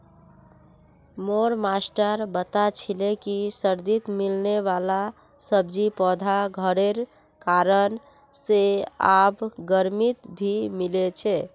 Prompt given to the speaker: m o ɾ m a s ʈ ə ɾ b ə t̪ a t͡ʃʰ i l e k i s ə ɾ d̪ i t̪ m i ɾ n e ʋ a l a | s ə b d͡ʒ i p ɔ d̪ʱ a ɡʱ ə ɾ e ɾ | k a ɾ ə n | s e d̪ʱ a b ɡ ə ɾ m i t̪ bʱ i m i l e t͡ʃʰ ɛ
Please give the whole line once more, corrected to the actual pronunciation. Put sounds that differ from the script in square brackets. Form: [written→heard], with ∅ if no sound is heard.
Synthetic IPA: m o ɾ m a s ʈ ə ɾ b ə t̪ a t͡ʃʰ i l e k i s ə ɾ d̪ i t̪ m i [ɾ→l] n e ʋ a l a | s ə b d͡ʒ i p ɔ d̪ʱ a ɡʱ ə ɾ e ɾ | k a ɾ ə n | s e [d̪ʱ→∅] a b ɡ ə ɾ m i t̪ bʱ i m i l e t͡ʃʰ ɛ